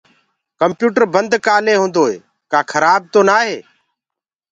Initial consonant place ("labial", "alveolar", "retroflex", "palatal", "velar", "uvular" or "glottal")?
velar